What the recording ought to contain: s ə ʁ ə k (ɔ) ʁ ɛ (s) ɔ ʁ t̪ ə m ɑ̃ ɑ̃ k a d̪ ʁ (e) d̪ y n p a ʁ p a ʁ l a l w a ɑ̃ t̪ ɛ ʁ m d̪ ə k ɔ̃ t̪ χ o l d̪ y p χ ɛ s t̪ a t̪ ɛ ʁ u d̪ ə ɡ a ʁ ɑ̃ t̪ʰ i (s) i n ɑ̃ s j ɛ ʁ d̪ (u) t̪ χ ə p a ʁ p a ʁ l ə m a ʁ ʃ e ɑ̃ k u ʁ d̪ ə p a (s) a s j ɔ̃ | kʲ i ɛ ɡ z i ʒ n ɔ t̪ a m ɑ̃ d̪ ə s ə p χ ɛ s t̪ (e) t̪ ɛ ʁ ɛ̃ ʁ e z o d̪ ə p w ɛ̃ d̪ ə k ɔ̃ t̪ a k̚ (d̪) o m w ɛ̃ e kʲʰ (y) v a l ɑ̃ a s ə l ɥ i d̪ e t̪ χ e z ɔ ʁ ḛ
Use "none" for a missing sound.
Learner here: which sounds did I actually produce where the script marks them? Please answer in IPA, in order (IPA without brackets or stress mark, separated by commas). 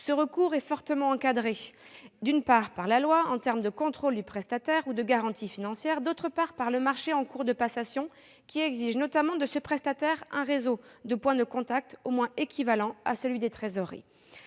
u, f, e, f, o, s, a, t̪, i